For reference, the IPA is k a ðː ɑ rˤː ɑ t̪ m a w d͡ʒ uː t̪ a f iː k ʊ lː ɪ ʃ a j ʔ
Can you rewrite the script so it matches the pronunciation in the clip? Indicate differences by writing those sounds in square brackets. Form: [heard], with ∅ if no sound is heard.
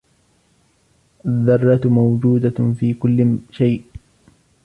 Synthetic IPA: [ʔ] a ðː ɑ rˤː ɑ t̪ m a w d͡ʒ uː [d̪] a f iː k ʊ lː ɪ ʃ a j ʔ